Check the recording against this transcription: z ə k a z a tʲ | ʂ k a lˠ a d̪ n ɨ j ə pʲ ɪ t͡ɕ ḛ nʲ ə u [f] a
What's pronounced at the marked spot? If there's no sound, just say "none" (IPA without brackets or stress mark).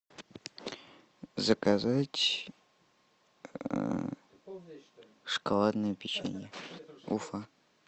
f